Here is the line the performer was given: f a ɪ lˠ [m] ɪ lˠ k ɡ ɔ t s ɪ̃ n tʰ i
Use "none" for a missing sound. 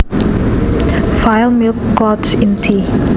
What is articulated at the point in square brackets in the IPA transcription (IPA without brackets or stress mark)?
m